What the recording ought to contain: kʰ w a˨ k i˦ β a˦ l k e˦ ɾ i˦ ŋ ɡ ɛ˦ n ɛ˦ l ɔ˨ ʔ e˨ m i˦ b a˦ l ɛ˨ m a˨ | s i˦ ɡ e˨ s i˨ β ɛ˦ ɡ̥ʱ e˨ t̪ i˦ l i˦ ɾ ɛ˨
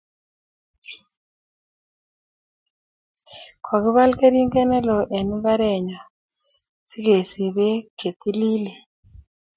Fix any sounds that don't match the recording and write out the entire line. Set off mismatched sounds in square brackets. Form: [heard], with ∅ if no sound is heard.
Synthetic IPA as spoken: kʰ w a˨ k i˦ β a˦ l k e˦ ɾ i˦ ŋ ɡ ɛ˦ n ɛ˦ l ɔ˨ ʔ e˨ [n] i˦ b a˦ [ɾ] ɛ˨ [ɲ] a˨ | s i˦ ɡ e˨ s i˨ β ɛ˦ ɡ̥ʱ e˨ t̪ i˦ l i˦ [l] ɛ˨